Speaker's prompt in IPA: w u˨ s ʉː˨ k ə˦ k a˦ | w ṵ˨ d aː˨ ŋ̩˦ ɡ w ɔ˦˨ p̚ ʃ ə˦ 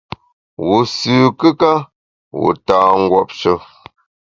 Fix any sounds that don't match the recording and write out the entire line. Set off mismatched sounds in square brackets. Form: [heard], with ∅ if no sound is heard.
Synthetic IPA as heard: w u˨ s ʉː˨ k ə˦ k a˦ | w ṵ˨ [t] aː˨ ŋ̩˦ ɡ w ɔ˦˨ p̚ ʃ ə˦